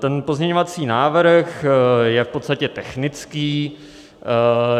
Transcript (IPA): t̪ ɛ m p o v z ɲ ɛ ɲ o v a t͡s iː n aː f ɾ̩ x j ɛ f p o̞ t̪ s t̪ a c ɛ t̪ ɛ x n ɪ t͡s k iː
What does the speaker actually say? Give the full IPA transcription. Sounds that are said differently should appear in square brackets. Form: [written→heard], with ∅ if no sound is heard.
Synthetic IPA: t̪ ɛ [m→n] p o [v→∅] z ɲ ɛ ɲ o v a t͡s iː n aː [f→v] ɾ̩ x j ɛ f p o̞ t̪ s t̪ a c ɛ t̪ ɛ x n ɪ t͡s k iː